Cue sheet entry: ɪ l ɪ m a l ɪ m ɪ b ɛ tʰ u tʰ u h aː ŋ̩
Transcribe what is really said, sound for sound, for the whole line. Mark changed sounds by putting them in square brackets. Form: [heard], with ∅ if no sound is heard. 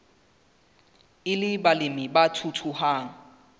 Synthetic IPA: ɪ l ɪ [b] a l ɪ m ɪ b [a] tʰ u tʰ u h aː ŋ̩